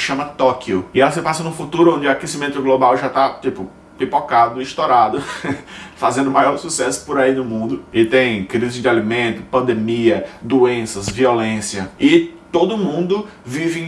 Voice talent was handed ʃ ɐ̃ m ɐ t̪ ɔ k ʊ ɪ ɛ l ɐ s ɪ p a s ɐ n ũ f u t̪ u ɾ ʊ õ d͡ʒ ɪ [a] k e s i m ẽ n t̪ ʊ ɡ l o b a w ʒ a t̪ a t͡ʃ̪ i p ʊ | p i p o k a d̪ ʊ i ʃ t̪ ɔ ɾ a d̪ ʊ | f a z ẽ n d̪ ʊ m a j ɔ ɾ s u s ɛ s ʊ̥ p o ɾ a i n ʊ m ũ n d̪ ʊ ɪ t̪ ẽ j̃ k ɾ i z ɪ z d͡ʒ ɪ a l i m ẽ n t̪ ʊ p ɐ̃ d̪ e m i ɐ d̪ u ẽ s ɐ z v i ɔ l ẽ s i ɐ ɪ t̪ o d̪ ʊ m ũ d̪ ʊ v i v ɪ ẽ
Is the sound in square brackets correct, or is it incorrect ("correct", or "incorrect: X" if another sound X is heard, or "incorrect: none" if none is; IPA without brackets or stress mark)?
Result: correct